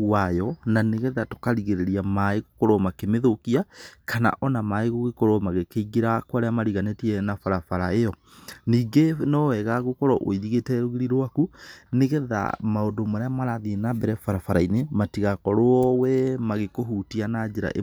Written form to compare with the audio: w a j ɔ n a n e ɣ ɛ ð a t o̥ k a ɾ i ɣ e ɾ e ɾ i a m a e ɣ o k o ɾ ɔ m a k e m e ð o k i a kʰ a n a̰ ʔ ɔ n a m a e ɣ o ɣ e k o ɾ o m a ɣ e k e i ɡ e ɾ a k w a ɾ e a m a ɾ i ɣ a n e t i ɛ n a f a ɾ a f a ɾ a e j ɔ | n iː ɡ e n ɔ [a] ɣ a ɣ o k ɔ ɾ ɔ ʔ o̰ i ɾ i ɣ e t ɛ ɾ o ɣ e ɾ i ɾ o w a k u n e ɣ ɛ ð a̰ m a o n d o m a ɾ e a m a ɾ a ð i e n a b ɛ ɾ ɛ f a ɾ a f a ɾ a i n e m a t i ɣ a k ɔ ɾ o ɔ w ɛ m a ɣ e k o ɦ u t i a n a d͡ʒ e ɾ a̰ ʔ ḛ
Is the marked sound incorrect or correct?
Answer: incorrect